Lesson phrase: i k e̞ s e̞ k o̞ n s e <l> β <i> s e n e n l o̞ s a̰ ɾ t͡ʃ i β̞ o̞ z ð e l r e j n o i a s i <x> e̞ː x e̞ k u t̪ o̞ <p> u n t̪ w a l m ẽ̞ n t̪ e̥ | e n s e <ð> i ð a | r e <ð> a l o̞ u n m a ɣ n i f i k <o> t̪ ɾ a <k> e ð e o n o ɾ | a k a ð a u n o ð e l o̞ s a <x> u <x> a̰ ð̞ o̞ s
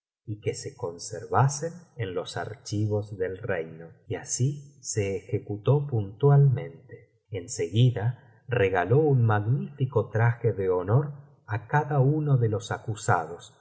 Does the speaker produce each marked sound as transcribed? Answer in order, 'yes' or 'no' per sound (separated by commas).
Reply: no, no, no, yes, no, no, yes, no, no, no